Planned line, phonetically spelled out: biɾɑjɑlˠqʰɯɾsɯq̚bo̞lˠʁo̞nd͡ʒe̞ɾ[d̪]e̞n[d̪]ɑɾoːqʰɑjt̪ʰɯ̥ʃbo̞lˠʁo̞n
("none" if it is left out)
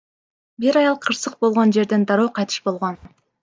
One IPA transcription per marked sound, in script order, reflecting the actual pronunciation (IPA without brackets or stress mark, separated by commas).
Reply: d̪, d̪